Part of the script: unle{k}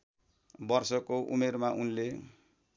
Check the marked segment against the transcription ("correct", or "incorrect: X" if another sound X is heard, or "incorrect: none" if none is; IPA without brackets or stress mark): incorrect: none